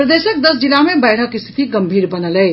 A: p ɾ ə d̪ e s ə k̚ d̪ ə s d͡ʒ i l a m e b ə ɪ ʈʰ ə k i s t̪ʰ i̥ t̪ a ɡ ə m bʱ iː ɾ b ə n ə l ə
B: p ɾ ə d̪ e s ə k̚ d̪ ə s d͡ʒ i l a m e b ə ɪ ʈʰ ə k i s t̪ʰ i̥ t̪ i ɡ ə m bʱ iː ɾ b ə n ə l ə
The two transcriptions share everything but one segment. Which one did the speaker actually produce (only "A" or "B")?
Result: B